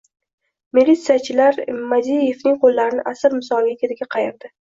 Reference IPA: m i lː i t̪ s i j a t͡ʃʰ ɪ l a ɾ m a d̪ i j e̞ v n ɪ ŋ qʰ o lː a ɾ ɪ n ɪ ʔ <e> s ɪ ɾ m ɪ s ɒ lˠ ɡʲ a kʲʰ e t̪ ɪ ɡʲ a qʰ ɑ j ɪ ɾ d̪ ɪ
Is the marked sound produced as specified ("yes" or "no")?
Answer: no